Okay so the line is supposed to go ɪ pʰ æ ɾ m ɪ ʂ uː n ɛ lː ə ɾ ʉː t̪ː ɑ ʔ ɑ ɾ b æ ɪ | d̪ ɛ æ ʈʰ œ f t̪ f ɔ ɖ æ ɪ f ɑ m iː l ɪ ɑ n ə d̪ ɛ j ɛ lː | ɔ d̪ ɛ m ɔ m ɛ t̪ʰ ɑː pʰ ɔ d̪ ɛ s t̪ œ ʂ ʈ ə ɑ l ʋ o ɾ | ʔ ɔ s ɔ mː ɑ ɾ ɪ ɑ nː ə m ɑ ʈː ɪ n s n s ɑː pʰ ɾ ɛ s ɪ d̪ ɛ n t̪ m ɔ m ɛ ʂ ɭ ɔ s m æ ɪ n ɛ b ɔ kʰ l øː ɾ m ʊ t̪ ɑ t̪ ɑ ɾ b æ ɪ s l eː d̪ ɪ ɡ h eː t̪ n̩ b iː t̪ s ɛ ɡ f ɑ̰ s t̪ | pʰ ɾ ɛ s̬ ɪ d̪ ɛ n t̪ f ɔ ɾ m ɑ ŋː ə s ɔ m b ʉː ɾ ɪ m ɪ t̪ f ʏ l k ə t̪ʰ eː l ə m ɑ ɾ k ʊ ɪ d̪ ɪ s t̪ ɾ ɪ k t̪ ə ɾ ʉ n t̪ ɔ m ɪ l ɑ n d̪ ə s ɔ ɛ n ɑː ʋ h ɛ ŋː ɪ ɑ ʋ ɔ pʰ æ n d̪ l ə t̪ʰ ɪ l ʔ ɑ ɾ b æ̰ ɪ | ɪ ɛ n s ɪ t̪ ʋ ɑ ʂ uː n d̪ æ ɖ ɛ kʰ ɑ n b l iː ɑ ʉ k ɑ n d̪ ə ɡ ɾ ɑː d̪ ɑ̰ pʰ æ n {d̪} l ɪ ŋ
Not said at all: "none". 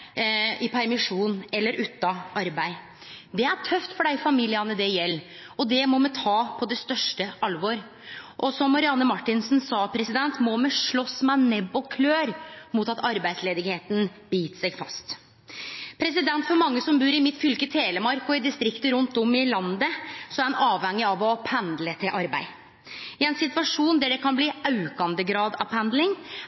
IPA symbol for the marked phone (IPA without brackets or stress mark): d̪